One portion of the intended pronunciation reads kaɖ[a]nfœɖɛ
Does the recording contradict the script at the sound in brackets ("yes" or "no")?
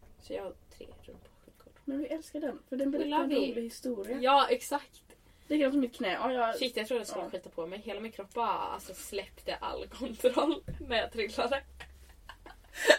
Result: yes